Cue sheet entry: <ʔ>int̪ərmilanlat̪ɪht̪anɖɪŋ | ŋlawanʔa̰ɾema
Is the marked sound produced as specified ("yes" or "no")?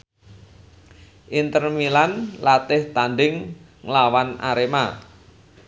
yes